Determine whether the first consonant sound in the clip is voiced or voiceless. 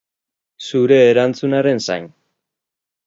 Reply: voiceless